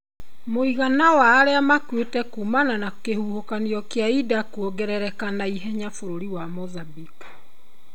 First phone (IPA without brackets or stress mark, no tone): m